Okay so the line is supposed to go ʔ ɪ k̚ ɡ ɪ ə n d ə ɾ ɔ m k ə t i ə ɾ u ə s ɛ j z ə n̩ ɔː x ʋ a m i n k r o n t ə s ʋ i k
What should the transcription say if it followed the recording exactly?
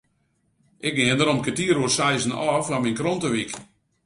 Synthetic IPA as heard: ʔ ɪ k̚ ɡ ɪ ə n d ə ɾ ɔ m k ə t i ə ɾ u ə s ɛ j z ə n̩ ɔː f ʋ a m i n k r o n t ə ʋ i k